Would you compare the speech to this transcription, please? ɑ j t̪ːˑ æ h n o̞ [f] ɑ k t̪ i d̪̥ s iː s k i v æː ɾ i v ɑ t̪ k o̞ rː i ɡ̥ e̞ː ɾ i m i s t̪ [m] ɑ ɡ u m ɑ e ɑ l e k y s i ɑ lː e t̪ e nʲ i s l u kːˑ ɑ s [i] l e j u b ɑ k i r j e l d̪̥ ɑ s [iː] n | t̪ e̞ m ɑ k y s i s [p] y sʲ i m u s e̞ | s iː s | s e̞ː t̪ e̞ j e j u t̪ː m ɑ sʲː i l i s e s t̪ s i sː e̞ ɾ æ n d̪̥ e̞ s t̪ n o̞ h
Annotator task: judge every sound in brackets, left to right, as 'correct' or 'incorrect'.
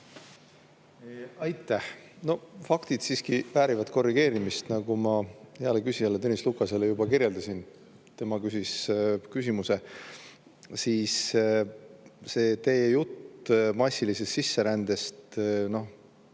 correct, incorrect, incorrect, incorrect, incorrect

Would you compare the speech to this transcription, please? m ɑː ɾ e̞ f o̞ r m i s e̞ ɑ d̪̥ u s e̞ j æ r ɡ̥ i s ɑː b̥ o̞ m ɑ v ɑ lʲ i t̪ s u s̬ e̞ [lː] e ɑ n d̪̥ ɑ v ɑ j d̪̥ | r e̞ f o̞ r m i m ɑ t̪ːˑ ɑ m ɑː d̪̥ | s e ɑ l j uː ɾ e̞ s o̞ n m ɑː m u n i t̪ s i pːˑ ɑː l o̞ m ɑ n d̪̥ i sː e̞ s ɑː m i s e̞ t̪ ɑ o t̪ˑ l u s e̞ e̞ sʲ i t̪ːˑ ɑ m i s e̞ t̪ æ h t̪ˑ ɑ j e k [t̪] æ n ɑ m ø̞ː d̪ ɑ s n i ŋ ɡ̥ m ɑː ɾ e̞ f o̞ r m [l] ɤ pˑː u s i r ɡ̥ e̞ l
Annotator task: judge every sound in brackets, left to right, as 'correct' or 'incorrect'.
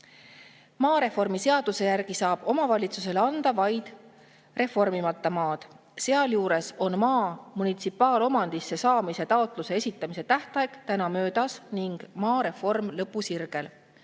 incorrect, correct, correct

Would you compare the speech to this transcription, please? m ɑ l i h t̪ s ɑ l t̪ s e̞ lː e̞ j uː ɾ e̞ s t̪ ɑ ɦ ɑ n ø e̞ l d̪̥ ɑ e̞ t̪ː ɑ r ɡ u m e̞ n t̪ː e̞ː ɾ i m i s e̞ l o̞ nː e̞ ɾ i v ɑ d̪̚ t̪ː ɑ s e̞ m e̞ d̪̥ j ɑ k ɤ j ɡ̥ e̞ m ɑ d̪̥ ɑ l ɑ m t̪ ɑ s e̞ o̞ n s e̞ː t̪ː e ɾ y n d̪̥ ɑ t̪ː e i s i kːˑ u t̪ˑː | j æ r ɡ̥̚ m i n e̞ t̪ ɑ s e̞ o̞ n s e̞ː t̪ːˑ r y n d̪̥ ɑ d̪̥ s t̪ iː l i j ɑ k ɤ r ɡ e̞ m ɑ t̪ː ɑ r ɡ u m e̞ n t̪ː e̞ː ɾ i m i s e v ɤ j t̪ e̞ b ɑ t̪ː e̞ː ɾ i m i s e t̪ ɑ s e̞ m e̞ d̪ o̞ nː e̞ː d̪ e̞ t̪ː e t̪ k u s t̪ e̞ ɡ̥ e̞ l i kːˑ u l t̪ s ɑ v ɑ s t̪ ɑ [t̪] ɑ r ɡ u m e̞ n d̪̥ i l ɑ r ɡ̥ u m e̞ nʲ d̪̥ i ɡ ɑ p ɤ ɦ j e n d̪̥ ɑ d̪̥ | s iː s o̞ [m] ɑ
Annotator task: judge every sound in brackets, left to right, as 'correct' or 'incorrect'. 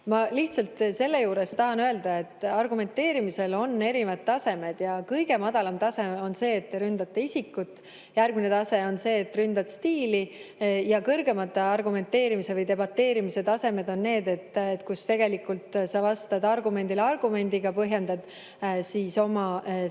incorrect, correct

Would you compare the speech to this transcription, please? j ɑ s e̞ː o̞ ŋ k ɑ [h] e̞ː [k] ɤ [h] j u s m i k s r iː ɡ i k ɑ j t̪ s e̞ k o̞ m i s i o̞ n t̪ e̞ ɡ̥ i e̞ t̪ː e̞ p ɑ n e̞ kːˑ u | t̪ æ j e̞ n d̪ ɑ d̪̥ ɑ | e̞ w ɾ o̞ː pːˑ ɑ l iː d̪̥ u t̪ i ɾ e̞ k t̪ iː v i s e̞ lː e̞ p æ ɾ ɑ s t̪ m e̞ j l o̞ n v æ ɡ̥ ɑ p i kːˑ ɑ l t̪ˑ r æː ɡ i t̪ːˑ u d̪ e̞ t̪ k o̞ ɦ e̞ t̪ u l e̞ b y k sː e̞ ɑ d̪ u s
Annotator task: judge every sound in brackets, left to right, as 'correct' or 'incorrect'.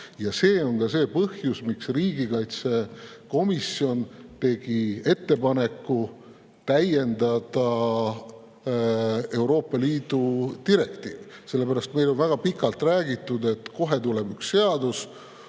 incorrect, incorrect, correct

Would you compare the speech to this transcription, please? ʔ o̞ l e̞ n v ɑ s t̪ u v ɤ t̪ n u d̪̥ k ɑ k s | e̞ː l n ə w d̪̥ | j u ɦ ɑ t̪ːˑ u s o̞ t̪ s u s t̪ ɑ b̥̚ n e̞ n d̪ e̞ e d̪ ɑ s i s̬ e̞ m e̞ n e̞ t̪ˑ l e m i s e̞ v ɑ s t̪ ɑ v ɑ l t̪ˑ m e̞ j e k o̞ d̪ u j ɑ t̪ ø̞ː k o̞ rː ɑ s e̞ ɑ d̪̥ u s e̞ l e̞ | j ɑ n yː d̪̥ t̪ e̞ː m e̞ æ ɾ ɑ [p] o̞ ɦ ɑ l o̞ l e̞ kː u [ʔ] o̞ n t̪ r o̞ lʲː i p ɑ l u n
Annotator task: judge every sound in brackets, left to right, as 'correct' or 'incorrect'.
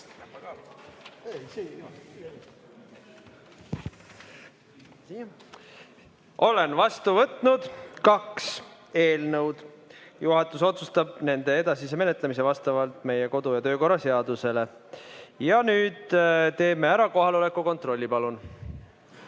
incorrect, incorrect

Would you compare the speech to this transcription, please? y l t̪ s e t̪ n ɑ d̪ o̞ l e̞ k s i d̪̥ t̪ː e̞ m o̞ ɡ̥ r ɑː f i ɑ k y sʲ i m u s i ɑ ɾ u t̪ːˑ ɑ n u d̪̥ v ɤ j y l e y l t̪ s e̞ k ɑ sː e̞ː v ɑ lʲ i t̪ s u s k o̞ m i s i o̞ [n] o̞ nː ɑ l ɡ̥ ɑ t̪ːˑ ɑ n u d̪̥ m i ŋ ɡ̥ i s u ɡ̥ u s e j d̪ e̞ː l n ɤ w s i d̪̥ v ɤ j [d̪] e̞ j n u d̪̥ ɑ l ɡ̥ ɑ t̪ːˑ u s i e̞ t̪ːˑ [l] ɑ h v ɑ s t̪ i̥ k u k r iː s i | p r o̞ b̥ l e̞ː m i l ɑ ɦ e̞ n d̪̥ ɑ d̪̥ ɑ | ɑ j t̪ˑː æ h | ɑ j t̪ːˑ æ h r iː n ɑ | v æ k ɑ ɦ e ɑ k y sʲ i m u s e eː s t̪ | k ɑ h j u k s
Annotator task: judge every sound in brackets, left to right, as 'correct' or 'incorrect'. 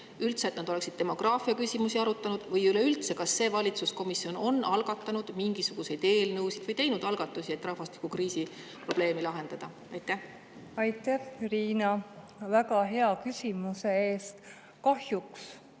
correct, incorrect, incorrect

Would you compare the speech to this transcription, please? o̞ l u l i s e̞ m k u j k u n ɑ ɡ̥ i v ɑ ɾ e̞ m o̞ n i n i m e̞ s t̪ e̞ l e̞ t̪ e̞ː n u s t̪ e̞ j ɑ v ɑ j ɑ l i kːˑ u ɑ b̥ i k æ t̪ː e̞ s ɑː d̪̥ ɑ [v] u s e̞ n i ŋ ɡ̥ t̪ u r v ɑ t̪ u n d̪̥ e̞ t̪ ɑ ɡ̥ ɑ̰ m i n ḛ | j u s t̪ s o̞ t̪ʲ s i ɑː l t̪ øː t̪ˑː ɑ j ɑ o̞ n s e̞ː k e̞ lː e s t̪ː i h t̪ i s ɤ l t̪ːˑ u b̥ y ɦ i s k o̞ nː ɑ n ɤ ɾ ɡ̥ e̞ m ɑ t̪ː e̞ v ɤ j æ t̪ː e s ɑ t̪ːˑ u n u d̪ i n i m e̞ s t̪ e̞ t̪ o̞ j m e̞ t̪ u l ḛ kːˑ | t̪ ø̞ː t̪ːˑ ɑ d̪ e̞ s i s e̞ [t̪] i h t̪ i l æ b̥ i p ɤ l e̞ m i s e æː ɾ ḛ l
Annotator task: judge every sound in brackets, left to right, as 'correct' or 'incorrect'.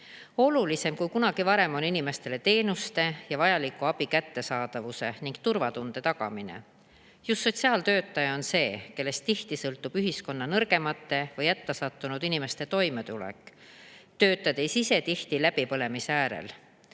correct, correct

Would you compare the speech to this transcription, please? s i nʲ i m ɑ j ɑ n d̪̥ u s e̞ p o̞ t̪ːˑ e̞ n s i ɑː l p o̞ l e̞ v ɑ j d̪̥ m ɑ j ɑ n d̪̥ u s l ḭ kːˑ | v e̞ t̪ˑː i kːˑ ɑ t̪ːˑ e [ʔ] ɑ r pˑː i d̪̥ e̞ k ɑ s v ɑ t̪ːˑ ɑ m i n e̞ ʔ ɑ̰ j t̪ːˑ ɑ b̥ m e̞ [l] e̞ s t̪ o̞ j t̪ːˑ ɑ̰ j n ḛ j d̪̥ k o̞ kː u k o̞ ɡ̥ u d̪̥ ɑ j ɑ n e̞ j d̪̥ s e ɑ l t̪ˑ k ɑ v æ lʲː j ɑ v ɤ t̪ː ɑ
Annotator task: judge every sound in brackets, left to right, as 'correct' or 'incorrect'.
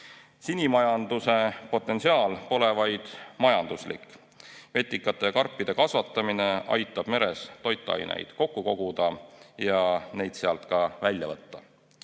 incorrect, incorrect

